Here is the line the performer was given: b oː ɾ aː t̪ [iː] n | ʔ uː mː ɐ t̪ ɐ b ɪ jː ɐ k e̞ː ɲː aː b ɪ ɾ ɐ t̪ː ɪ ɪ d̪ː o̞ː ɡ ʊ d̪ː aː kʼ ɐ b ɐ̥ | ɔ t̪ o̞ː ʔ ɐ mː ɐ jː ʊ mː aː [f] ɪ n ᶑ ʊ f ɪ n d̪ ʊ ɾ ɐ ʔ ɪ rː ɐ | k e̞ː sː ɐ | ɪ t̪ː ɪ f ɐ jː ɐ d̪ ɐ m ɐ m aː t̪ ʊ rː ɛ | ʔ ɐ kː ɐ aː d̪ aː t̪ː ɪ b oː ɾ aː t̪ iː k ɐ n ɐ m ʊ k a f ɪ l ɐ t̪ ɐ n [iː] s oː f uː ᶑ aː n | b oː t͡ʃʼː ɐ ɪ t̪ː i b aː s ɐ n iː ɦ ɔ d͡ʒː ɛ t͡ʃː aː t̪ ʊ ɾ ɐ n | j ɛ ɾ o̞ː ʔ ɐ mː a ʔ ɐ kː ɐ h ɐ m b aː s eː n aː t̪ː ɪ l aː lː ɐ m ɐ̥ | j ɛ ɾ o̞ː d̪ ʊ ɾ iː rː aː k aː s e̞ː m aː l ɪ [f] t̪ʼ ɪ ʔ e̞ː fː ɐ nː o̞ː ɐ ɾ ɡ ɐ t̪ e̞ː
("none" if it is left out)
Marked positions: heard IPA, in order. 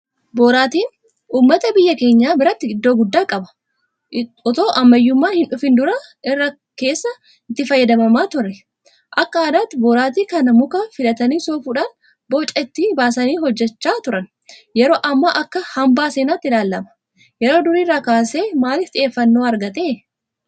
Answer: iː, h, iː, f

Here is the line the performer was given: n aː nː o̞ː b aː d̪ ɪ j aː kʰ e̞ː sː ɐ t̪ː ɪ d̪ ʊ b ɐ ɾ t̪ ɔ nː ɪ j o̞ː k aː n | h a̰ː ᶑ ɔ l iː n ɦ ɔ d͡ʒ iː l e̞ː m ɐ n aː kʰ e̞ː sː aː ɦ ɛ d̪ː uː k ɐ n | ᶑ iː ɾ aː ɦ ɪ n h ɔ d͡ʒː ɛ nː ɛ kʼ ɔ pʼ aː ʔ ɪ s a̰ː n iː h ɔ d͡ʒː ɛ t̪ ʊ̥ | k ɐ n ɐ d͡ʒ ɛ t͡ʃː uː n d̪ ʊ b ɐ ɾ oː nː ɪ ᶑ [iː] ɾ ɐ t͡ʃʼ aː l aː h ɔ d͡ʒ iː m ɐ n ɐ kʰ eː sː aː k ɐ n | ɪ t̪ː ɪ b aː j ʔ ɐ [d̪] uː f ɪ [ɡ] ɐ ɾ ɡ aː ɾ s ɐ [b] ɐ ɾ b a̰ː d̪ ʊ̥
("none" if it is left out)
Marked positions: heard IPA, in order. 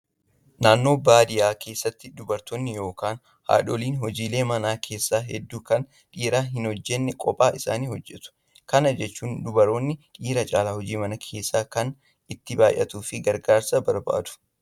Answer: iː, t̪, ɡ, b

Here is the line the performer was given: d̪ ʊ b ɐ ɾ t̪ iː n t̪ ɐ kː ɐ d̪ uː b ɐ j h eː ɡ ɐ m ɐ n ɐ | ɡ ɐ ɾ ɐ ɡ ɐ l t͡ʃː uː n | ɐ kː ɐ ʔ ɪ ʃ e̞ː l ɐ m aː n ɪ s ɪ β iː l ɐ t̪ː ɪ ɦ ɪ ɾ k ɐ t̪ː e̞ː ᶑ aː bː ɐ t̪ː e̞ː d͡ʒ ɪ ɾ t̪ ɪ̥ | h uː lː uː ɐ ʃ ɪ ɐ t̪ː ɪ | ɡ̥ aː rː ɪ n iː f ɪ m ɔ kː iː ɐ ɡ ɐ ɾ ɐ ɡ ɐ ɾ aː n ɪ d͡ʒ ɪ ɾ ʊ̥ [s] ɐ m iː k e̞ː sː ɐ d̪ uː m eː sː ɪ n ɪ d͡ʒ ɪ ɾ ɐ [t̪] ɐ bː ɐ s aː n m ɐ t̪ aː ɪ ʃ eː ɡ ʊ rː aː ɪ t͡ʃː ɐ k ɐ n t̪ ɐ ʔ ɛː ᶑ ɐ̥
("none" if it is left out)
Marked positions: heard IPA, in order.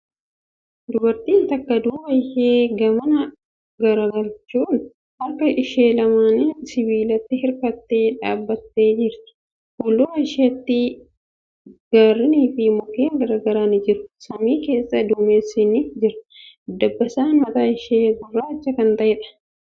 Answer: s, d̪

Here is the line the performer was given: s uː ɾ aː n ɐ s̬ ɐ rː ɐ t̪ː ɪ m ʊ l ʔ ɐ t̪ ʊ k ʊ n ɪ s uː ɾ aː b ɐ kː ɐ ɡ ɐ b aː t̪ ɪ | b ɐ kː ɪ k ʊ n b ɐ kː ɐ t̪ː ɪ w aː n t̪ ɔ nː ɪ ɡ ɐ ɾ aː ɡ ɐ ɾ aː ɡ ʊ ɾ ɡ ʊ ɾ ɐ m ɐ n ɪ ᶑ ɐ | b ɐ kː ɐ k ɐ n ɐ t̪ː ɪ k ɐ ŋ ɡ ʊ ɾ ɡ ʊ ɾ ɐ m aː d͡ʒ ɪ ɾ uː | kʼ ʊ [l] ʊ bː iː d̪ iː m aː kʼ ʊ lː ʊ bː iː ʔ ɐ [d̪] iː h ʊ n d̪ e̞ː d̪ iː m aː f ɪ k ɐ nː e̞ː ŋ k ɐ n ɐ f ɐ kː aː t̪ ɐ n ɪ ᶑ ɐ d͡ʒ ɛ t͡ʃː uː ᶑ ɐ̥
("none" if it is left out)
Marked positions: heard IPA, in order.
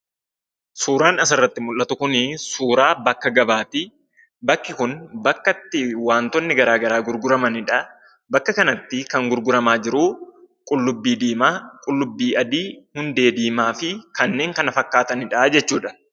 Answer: lː, d̪

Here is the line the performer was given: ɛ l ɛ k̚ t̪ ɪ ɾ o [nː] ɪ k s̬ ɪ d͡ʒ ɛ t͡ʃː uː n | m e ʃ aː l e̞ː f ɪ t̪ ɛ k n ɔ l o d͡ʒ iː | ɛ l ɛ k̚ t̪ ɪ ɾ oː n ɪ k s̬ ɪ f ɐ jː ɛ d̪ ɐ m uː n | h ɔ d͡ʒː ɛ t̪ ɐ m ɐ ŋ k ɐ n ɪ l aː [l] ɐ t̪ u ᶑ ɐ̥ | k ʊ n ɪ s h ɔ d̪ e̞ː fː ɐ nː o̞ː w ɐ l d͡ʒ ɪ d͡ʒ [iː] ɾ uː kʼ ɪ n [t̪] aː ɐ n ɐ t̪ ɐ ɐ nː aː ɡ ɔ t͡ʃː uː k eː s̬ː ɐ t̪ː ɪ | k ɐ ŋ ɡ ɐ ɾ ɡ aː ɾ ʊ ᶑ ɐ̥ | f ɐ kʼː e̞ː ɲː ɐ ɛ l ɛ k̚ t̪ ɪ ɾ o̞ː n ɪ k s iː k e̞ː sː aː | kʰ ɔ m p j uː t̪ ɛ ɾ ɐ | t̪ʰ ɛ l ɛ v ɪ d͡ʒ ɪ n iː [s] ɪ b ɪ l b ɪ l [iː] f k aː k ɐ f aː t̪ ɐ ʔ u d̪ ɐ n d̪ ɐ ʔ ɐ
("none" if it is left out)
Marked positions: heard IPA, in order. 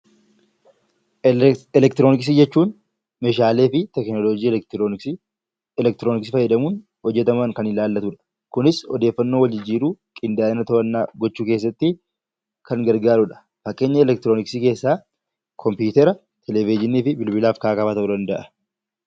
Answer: n, lː, iː, d̪, f, aː

